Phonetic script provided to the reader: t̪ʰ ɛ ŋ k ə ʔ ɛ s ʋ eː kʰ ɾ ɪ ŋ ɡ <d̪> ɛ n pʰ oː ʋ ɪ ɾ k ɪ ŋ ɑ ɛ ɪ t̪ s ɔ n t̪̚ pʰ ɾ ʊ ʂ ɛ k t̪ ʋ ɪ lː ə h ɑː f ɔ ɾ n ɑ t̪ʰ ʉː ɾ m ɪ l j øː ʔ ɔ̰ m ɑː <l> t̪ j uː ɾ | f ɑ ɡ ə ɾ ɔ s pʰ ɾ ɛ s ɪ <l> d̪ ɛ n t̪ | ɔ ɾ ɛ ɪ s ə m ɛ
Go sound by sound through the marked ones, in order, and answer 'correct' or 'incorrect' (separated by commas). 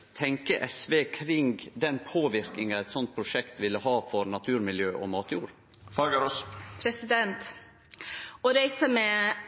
correct, incorrect, incorrect